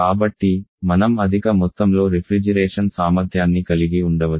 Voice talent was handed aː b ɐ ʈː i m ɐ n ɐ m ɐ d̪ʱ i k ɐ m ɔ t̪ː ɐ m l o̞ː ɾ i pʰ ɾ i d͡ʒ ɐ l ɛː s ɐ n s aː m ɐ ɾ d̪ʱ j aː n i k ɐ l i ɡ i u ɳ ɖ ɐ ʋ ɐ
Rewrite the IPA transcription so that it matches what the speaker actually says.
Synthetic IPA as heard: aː b ɐ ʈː i m ɐ n ɐ m ɐ d̪ʱ i k ɐ m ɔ t̪ː ɐ m l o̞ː ɾ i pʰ ɾ i d͡ʒ ɐ ɾ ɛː ʂ ɐ n s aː m ɐ ɾ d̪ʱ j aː nː i k ɐ l i ɡ i u ɳ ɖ ɐ ʋ ɐ